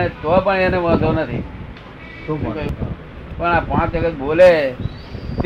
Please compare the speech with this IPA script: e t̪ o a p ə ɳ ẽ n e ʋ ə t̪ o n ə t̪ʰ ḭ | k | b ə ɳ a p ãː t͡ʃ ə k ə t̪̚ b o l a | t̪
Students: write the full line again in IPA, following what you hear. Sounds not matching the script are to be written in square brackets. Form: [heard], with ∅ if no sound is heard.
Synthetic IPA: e t̪ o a p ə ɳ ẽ n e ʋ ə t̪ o n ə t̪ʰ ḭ | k | [p] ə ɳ a p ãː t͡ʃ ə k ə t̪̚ b o l [e] | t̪